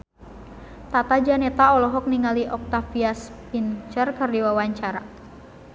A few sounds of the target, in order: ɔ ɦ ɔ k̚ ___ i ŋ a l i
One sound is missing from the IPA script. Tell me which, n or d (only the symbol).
n